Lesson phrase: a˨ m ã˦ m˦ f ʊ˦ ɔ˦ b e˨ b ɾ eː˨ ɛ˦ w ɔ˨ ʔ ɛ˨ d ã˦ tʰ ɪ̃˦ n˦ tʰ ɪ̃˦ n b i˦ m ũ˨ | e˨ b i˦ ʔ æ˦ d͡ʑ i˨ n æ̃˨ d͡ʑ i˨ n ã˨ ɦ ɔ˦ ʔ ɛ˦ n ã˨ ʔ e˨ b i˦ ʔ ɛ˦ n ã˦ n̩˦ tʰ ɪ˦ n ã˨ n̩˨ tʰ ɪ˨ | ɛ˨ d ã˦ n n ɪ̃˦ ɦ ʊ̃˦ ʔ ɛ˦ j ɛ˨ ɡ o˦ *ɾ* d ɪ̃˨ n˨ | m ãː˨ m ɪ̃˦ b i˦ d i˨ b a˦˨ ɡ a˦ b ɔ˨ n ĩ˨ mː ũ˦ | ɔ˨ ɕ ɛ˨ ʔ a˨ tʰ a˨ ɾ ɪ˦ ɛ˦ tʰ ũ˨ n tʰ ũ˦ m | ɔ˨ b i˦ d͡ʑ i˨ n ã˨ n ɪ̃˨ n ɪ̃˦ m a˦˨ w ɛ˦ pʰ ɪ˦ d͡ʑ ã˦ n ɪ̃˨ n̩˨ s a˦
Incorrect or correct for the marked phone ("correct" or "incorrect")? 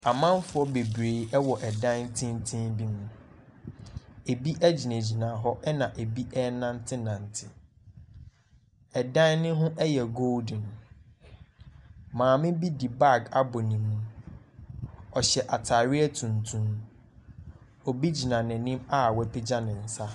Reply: incorrect